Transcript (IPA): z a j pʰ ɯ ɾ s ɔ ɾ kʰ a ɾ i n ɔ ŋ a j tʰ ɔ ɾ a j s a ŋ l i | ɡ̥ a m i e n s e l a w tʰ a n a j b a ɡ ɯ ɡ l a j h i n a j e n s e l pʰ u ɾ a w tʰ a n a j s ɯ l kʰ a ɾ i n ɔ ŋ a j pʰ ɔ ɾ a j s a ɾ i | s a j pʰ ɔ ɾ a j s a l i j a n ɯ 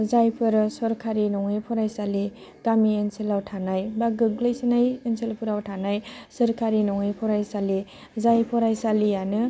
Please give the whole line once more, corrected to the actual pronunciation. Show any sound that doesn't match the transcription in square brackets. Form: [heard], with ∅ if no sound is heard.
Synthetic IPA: z a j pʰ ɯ ɾ s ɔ ɾ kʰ a ɾ i n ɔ ŋ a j [pʰ] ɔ ɾ a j s a [∅] l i | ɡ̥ a m i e n s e l a w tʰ a n a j b a ɡ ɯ ɡ l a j [s] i n a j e n s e l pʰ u ɾ a w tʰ a n a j s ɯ [ɾ] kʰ a ɾ i n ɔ ŋ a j pʰ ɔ ɾ a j s a [l] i | [z] a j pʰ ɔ ɾ a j s a l i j a n ɯ